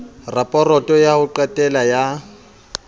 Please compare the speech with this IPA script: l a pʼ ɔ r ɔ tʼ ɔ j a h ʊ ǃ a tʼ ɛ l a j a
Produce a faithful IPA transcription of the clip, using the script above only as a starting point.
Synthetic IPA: r a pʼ ɔ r ɔ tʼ ɔ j a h ʊ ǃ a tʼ ɛ l a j a